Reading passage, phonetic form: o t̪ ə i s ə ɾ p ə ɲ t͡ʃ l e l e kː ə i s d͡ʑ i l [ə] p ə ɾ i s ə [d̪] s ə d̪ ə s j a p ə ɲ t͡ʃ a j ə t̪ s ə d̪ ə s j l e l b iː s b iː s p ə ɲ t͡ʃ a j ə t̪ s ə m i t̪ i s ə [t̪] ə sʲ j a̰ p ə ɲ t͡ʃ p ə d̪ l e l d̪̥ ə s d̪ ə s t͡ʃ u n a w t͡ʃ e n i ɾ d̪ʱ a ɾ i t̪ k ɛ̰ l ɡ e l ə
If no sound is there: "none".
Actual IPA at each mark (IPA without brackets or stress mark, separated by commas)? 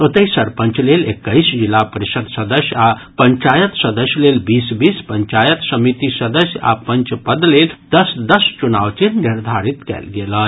a, d̪, d̪